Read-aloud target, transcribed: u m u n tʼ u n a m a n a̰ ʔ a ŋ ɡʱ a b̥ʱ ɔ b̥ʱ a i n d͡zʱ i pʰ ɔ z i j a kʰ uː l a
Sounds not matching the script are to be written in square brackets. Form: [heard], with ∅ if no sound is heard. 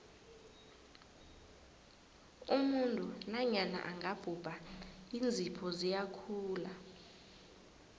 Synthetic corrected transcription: u m u n tʼ u n a [ɲ] a n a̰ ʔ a ŋ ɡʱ a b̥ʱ [u] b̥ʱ a i n d͡zʱ i pʰ ɔ z i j a kʰ uː l a